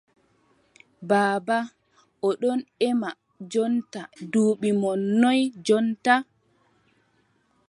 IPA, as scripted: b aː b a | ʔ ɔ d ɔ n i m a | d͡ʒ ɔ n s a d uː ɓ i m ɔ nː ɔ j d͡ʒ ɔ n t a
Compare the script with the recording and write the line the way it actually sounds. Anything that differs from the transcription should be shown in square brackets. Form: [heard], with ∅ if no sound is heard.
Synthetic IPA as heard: b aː b a | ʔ ɔ [ɗ] ɔ n [ɛ] m a | d͡ʒ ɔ n [t] a d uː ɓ i m ɔ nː ɔ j d͡ʒ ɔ n t a